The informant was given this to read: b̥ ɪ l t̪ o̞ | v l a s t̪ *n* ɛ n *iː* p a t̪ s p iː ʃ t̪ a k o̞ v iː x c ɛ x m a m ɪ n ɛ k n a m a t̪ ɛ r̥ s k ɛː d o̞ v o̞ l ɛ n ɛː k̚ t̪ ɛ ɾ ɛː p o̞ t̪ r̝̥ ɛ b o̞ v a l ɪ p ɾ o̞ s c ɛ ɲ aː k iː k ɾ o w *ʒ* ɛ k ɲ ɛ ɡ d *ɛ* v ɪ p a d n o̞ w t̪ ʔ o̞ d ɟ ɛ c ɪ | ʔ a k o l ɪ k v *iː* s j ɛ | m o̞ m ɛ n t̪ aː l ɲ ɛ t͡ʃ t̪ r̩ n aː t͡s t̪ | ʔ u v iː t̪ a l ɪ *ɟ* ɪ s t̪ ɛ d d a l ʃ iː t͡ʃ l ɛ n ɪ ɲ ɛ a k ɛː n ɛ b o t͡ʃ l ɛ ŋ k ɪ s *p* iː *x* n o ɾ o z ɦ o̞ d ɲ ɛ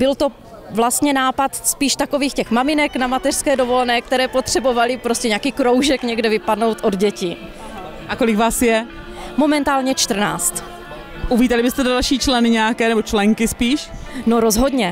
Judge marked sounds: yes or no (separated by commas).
no, no, yes, yes, no, no, yes, no